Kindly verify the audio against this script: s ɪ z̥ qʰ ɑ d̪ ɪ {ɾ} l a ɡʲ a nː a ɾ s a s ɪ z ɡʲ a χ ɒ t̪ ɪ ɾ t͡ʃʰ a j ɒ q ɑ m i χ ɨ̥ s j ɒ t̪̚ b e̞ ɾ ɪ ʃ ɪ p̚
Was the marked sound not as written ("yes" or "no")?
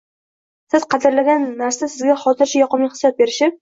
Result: no